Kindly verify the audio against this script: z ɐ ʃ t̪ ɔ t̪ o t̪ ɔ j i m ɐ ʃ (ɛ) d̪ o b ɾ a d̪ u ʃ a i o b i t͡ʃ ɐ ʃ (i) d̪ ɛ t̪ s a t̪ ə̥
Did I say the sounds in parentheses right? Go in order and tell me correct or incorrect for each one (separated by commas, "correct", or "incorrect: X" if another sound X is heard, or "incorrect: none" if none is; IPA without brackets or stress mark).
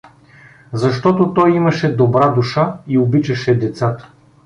correct, incorrect: ɛ